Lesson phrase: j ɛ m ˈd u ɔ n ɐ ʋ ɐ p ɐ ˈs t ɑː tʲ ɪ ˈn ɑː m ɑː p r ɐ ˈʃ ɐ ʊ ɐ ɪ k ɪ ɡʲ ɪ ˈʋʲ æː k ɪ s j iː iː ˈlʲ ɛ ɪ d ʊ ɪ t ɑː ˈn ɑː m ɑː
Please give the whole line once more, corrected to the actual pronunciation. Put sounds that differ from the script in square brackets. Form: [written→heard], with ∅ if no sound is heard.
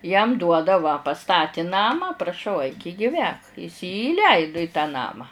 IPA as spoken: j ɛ m ˈd u ɔ [n→d] ɐ ʋ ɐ p ɐ ˈs t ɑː tʲ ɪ ˈn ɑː m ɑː p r ɐ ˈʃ ɐ ʊ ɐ ɪ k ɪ ɡʲ ɪ ˈʋʲ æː k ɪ s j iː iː ˈlʲ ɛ ɪ d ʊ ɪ t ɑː ˈn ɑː m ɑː